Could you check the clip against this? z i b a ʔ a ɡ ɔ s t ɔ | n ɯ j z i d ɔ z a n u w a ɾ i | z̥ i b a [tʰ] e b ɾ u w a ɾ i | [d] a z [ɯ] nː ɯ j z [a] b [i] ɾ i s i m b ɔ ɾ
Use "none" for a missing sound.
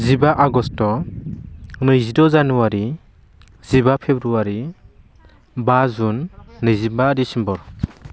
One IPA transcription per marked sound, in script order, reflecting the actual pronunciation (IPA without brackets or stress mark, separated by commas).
pʰ, b, u, i, a